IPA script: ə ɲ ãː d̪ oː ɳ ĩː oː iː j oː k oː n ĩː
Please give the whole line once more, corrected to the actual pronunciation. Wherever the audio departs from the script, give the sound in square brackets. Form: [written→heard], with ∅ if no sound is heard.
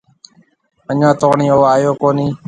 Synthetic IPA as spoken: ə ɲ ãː [d̪→t̪] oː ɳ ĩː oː [iː→aː] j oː k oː n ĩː